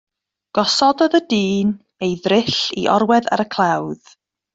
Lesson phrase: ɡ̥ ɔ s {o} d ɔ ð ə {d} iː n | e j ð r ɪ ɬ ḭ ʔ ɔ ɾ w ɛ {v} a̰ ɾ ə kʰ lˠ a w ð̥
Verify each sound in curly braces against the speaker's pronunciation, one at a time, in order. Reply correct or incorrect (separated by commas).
incorrect, correct, incorrect